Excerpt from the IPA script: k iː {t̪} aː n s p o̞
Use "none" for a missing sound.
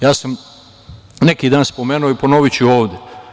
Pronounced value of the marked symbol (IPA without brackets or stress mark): d̪